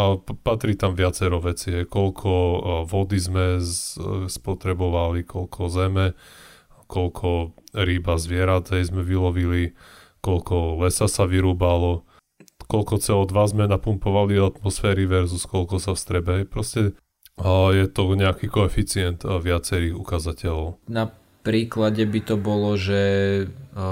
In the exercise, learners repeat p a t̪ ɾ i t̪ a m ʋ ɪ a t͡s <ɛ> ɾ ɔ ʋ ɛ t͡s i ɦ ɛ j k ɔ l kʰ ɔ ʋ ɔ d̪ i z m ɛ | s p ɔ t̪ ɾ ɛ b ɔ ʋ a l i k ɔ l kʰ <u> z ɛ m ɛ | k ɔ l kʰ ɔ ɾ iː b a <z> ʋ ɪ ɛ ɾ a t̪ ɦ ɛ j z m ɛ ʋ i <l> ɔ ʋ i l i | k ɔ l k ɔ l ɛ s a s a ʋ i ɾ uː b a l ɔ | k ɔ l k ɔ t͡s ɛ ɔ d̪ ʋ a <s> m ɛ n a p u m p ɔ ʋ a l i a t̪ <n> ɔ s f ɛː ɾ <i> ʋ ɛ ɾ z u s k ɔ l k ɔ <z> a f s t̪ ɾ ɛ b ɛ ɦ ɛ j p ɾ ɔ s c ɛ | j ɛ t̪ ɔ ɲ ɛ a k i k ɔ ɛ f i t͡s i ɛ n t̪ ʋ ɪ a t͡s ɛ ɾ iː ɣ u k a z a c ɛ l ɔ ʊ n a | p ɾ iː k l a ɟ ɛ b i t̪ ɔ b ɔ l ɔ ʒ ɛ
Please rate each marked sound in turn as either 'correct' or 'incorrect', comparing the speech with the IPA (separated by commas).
correct, incorrect, correct, correct, incorrect, incorrect, correct, incorrect